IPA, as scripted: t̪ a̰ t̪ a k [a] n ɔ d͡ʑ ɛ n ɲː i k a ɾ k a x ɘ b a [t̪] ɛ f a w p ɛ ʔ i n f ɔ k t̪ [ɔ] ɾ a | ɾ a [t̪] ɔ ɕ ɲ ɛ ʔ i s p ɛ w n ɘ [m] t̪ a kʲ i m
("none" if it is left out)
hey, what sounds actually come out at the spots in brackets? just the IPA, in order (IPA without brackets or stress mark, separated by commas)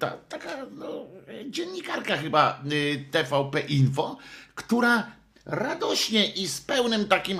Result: a, t̪, u, d̪, m